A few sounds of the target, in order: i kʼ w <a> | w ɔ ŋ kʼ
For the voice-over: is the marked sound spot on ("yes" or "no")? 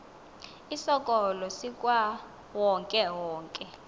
yes